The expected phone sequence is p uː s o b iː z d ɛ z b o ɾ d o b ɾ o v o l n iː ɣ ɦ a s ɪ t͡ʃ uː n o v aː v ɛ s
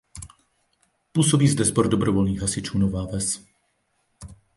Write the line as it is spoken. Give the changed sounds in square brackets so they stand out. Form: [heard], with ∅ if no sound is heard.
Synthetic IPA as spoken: p uː s o b iː z d ɛ z b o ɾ d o b ɾ o v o l n iː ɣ ɦ a s ɪ t͡ʃ uː n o v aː v ɛ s